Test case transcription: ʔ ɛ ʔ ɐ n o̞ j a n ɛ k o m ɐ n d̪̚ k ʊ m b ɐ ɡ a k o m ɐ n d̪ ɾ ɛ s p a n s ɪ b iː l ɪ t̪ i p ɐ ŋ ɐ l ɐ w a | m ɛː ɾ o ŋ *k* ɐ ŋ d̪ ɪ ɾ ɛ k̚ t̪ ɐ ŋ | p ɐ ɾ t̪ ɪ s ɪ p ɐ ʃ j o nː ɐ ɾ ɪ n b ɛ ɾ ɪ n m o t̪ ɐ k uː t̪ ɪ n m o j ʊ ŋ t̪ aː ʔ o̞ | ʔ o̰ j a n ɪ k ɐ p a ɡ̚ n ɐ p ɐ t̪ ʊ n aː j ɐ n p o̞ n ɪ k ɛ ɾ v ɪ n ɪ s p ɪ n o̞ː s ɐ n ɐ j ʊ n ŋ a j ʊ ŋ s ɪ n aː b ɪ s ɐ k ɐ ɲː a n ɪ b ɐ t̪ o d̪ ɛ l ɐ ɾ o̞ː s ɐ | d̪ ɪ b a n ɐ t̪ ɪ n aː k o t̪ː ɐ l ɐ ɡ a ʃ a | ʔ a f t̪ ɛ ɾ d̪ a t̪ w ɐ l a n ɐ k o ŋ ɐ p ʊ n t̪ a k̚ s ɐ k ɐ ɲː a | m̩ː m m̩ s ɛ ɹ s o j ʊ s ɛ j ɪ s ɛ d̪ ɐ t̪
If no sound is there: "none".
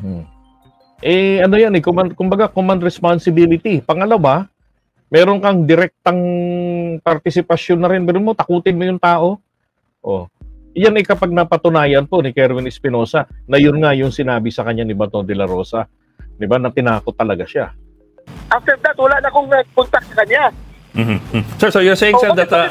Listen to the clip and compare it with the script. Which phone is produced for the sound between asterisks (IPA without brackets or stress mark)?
k